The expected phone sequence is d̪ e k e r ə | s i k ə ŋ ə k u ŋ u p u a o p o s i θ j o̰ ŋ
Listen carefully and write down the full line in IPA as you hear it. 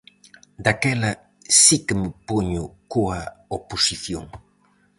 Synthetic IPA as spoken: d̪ a k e l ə | s i k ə m ə p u ɲ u k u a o p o s i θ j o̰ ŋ